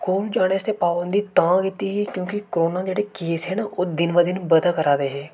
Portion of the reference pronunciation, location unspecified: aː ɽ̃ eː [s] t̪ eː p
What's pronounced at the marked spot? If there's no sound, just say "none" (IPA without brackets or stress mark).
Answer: s